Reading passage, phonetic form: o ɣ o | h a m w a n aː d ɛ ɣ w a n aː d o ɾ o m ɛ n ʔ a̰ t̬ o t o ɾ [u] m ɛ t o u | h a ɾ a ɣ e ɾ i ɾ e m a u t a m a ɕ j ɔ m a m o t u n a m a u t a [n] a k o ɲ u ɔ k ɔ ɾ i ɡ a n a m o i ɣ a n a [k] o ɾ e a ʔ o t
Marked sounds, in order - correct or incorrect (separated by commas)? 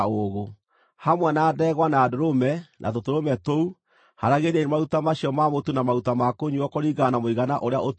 incorrect, incorrect, incorrect